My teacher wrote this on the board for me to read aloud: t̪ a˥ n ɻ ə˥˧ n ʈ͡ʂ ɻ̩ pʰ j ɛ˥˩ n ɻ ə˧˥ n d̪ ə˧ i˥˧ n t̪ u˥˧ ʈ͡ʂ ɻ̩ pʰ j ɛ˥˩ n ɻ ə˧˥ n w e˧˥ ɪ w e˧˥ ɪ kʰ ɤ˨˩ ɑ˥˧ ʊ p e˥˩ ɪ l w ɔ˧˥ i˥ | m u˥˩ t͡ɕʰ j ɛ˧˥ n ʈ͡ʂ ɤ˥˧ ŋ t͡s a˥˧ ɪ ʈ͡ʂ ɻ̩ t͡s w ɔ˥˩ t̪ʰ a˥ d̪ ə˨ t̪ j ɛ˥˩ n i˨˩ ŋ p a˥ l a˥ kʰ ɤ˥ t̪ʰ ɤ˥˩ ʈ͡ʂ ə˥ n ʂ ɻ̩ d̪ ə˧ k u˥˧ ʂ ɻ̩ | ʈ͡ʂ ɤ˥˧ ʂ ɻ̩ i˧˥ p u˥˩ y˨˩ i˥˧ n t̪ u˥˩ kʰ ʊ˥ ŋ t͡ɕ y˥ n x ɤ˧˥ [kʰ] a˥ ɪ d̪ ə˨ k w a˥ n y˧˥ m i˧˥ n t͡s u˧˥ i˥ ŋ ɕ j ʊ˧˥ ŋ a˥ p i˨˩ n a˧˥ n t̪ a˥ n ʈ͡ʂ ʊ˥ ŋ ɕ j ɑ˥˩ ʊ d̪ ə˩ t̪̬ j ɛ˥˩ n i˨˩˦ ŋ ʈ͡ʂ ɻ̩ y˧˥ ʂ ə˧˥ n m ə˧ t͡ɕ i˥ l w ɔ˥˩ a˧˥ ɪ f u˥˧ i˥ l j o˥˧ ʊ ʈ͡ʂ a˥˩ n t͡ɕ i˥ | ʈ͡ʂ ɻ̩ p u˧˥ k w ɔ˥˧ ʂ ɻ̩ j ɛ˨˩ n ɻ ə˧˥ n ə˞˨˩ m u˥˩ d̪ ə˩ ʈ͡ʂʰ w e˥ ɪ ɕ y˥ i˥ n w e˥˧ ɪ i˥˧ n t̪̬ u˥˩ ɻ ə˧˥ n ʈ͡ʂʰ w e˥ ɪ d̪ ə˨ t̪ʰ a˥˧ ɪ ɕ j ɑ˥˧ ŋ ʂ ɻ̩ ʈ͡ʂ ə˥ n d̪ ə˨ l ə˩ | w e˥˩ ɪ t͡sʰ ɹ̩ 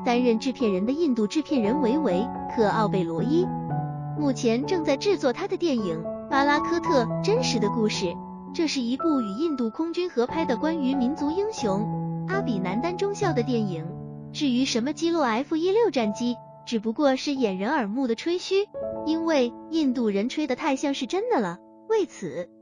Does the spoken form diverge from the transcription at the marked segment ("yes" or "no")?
yes